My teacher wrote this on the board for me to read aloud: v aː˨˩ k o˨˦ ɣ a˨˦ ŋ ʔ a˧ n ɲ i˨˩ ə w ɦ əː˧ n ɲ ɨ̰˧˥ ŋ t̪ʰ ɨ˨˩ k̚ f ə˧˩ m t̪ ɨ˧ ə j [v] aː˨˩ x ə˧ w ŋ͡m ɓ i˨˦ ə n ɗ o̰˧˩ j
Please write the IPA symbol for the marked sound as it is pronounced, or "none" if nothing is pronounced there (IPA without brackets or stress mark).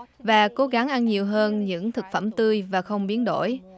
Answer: v